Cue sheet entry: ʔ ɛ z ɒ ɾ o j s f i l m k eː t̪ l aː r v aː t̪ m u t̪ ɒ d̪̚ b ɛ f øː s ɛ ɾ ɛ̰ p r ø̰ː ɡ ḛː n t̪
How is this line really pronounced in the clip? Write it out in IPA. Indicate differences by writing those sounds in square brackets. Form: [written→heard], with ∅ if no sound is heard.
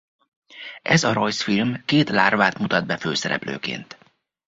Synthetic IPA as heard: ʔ ɛ z ɒ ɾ o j s f i l m k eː t̪ l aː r v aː t̪ m u t̪ ɒ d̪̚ b ɛ f øː s ɛ ɾ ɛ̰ p [r→l] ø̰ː [ɡ→k] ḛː n t̪